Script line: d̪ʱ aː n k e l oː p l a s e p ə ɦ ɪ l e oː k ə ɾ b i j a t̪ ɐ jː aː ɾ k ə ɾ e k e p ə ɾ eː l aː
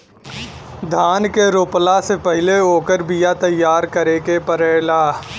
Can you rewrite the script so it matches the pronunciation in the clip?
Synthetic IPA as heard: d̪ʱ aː n k e ɾ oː p l a s e p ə ɦ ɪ l e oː k ə ɾ b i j a t̪ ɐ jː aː ɾ k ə ɾ e k e p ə ɾ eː l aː